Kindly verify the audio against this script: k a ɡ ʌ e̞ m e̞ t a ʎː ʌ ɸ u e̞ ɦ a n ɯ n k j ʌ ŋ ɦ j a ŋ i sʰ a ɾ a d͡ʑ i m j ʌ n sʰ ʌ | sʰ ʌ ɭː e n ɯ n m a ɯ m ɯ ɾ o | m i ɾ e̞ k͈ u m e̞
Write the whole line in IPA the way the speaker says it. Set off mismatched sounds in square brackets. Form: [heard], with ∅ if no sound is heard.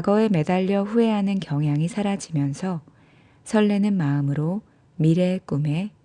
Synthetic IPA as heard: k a ɡ ʌ e̞ m e̞ [d] a ʎː ʌ ɸ u e̞ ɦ a n ɯ n k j ʌ ŋ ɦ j a ŋ i sʰ a ɾ a d͡ʑ i m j ʌ n sʰ ʌ | sʰ ʌ ɭː e n ɯ n m a ɯ m ɯ ɾ o | m i ɾ e̞ k͈ u m e̞